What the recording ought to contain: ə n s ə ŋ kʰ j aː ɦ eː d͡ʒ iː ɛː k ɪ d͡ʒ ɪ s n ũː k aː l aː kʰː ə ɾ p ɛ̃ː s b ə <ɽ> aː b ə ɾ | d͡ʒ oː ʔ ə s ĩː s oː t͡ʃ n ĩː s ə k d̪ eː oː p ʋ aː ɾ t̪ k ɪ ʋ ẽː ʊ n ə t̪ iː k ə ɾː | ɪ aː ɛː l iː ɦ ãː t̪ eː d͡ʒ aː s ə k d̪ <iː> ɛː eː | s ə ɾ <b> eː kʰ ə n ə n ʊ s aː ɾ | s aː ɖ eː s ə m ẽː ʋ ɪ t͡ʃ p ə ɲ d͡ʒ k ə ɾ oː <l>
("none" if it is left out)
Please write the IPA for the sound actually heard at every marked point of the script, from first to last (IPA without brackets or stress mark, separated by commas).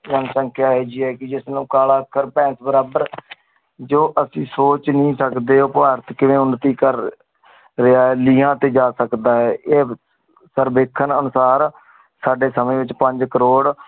ɾ, aː, b, ɽ